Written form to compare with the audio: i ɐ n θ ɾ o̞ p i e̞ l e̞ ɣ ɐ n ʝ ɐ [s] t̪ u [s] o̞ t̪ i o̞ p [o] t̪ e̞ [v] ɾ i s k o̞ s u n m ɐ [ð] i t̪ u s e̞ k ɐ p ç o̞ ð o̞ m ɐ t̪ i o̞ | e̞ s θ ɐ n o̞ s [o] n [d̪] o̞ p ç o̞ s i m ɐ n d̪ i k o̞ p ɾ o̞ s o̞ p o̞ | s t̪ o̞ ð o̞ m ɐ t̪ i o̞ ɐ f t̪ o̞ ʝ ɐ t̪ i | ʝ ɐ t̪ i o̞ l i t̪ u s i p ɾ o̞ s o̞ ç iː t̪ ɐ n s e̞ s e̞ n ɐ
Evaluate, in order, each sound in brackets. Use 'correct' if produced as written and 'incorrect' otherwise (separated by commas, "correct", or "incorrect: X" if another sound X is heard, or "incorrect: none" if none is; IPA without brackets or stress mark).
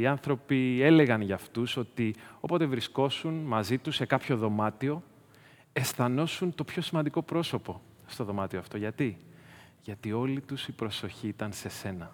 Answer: incorrect: f, correct, correct, correct, incorrect: z, incorrect: u, incorrect: t̪